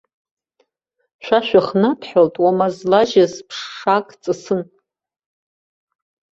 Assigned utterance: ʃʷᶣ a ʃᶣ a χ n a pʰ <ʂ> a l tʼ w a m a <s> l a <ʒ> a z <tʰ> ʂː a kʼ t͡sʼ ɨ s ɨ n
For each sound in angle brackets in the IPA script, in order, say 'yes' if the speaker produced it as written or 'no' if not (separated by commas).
no, no, yes, no